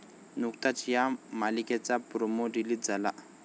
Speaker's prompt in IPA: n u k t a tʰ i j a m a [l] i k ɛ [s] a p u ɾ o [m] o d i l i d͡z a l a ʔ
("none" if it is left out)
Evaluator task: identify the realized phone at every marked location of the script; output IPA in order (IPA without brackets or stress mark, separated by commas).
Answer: l, t͡s, m